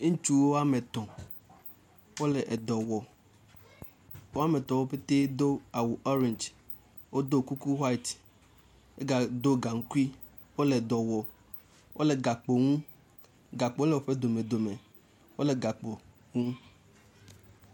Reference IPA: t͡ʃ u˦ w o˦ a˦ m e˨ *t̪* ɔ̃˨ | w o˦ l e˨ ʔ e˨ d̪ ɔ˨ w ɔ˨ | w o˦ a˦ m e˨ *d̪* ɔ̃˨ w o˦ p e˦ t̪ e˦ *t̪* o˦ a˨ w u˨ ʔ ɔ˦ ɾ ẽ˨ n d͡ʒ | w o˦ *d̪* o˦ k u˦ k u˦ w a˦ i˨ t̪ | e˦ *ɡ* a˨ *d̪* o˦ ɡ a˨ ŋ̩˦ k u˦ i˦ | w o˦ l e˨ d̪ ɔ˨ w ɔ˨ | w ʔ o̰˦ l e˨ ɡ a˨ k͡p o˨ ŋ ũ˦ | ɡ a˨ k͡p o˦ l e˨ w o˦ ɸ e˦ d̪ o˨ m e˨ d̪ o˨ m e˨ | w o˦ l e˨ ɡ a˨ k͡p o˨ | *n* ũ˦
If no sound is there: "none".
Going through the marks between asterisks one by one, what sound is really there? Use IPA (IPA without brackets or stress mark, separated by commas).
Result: t̪, t̪, d̪, d̪, ɡ, d̪, ŋ